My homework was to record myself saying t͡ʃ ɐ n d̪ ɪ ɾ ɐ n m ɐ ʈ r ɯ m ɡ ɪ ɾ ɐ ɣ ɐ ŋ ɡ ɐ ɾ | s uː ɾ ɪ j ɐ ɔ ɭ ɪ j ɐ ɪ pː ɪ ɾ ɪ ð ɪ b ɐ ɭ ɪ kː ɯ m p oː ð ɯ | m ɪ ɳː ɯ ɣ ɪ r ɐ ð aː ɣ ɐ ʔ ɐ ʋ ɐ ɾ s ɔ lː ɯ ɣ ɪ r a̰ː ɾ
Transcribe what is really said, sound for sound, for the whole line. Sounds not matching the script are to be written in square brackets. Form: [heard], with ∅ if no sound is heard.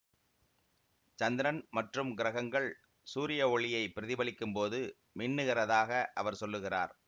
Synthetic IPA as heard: t͡ʃ ɐ n d̪ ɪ ɾ ɐ n m ɐ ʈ r ɯ m ɡ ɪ ɾ ɐ ɣ ɐ ŋ ɡ ɐ [ɭ] | s uː ɾ ɪ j ɐ ɔ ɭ ɪ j ɐ ɪ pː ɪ ɾ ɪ ð ɪ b ɐ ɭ ɪ kː ɯ m p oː ð ɯ | m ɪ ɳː ɯ ɣ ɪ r ɐ ð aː ɣ ɐ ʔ ɐ ʋ ɐ ɾ s ɔ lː ɯ ɣ ɪ r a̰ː ɾ